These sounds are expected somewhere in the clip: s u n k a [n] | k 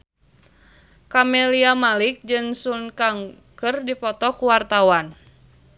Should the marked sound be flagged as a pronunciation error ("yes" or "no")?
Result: yes